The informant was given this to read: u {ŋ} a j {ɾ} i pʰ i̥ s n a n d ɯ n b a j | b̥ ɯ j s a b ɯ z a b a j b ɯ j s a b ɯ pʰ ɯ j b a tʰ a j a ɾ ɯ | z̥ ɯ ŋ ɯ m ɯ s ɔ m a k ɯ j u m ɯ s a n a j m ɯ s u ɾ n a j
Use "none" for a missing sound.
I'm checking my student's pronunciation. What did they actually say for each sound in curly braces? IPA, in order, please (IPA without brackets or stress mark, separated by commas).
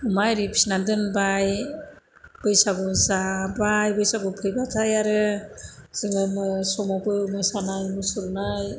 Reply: m, ɾ